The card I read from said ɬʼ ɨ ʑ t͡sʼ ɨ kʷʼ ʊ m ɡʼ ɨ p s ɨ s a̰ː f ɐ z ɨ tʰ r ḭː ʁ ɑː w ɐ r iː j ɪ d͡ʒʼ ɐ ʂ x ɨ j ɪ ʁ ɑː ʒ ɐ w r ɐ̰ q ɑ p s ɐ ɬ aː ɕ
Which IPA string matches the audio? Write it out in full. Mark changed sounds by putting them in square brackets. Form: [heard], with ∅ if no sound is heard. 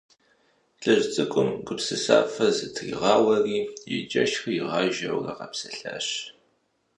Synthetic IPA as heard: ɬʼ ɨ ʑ t͡sʼ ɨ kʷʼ ʊ m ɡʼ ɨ p s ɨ s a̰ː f ɐ z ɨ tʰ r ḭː ʁ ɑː w ɐ r iː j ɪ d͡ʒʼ ɐ [ʃ] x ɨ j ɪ ʁ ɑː ʒ ɐ w r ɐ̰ q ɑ p s ɐ ɬ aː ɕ